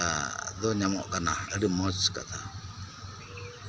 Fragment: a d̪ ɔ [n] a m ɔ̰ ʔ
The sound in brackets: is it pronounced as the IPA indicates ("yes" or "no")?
no